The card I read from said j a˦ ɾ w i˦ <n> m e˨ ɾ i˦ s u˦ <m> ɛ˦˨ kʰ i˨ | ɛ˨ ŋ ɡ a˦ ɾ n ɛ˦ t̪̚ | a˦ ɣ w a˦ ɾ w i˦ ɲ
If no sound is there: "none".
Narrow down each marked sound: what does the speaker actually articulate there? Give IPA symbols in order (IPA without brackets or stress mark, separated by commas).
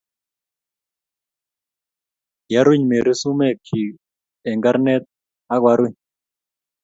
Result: ɲ, m